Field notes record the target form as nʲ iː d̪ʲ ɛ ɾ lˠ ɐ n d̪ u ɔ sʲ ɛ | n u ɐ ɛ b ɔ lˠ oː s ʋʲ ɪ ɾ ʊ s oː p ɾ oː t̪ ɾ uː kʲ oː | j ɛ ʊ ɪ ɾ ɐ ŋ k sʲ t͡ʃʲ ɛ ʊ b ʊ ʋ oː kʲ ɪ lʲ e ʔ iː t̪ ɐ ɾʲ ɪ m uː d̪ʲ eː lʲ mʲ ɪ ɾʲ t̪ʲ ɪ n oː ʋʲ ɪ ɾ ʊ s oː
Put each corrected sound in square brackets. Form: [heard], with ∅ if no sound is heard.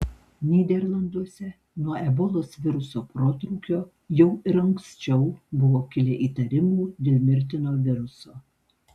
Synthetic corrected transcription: nʲ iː d̪ʲ ɛ ɾ lˠ ɐ n d̪ u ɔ sʲ ɛ | n u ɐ ɛ b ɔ lˠ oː s ʋʲ ɪ ɾ ʊ s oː p ɾ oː t̪ ɾ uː kʲ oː | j ɛ ʊ ɪ ɾ ɐ ŋ k sʲ t͡ʃʲ ɛ ʊ b ʊ ʋ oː kʲ ɪ lʲ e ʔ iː t̪ ɐ ɾʲ ɪ m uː d̪ʲ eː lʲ mʲ ɪ ɾʲ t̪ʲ ɪ n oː ʋʲ ɪ ɾ ʊ s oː